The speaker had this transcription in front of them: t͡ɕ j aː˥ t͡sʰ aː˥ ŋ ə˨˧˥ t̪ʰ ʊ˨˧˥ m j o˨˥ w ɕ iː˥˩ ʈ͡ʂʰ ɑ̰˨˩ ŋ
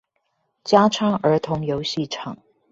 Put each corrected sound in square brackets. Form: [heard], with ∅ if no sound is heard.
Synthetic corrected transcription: t͡ɕ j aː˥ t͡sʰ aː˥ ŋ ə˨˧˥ t̪ʰ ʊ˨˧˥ [ŋ] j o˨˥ w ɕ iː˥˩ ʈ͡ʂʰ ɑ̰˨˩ ŋ